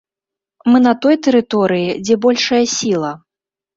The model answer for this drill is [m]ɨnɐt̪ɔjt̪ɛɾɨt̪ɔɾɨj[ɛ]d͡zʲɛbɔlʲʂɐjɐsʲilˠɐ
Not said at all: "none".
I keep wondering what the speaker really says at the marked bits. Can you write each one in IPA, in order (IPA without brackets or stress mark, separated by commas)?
m, i